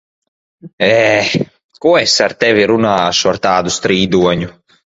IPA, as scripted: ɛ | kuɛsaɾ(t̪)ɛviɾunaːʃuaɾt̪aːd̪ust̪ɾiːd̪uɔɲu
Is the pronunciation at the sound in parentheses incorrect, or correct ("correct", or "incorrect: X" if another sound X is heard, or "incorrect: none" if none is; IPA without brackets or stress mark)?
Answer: correct